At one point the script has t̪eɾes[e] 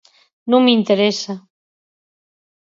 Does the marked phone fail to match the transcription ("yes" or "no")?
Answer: yes